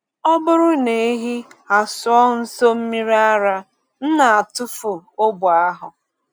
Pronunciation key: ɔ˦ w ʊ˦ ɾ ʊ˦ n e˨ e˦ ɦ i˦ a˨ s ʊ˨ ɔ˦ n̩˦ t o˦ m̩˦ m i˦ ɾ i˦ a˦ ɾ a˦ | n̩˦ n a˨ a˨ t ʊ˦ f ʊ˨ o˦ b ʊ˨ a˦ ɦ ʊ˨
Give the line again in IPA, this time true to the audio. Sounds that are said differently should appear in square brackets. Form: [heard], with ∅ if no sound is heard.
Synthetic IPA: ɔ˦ [b] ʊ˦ ɾ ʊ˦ n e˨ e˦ ɦ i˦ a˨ s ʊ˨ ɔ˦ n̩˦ [s] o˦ m̩˦ m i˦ ɾ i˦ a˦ ɾ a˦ | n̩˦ n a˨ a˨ t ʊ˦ f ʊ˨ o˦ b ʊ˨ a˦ ɦ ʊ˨